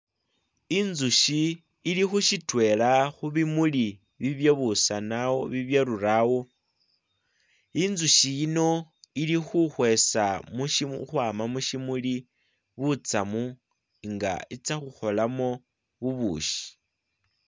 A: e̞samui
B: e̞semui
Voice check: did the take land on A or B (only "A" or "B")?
A